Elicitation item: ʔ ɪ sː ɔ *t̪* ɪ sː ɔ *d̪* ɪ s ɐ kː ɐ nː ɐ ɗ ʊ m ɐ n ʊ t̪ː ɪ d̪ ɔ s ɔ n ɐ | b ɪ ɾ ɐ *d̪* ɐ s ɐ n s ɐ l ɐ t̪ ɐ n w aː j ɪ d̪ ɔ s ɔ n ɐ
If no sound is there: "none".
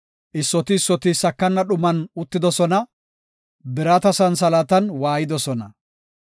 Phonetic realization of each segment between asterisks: t̪, t̪, t̪

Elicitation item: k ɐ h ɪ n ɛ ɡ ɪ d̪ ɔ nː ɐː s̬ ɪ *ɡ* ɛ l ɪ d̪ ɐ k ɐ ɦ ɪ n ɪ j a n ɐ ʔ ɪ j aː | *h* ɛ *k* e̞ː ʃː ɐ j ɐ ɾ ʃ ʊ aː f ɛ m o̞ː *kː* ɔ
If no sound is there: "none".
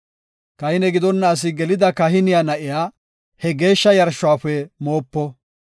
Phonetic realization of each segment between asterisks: ɡ, h, ɡ, pː

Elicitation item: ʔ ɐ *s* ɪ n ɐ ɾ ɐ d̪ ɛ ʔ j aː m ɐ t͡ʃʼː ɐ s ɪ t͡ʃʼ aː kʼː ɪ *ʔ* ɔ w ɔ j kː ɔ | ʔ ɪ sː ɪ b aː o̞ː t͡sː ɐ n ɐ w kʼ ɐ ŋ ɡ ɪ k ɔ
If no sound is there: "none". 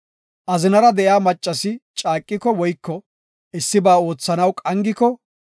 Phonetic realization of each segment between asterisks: z, k

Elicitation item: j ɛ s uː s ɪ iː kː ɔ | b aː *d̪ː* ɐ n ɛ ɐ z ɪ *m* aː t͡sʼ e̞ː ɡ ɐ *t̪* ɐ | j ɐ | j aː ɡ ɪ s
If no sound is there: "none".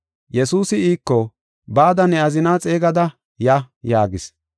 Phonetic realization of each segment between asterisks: d̪, n, d̪

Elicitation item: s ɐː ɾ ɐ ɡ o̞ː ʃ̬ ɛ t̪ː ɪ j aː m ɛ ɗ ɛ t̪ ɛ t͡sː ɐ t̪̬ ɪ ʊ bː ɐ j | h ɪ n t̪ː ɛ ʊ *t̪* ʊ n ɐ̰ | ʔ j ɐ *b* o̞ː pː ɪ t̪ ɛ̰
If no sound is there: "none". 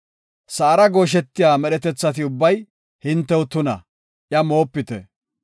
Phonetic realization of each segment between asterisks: t̪, m

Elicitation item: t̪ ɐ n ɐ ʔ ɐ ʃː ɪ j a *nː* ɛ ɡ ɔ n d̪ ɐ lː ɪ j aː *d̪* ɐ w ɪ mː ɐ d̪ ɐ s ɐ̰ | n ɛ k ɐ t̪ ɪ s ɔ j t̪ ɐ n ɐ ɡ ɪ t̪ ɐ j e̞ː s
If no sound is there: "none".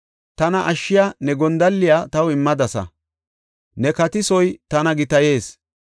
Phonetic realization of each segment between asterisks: n, t̪

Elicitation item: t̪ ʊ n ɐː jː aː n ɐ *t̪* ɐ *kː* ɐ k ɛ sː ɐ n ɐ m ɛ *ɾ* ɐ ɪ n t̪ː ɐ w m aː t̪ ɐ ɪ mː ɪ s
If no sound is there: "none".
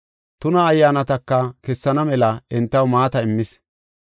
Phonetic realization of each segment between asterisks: t̪, kː, l

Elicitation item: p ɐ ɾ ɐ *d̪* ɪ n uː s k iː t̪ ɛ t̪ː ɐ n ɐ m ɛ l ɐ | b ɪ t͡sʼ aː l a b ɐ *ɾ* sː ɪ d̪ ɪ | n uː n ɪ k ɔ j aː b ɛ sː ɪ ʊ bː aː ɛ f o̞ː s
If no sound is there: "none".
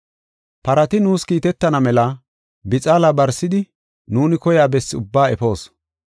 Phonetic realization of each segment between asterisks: t̪, ɾ

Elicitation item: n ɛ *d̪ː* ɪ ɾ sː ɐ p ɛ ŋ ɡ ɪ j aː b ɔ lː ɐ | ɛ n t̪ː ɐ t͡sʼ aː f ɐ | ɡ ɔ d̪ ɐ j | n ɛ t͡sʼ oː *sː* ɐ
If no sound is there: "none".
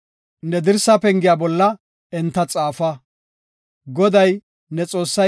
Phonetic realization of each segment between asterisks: d̪, sː

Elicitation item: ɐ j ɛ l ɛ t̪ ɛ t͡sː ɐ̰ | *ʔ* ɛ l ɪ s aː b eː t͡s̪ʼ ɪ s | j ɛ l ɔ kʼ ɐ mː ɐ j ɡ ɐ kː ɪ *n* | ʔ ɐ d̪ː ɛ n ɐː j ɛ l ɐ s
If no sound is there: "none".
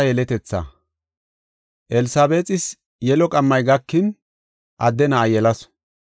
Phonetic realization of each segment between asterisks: ʔ, n

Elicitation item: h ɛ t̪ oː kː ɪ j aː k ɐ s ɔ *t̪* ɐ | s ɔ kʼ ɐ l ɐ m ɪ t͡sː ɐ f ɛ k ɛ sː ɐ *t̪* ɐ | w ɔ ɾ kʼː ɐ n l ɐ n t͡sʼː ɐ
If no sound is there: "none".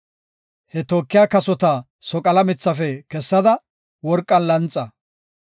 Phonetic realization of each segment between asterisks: t̪, d̪

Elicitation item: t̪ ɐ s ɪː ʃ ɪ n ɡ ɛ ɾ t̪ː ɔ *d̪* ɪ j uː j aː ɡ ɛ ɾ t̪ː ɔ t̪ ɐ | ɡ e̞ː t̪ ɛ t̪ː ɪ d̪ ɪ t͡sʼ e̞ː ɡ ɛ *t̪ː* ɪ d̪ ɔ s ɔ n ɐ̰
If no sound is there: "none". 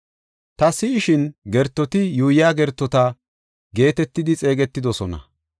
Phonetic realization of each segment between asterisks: t̪, t̪ː

